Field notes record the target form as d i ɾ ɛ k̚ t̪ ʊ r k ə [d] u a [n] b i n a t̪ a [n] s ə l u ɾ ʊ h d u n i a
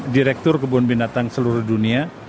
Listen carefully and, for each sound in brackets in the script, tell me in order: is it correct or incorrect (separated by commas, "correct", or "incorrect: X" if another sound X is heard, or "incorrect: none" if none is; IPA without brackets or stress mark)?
incorrect: b, correct, incorrect: ŋ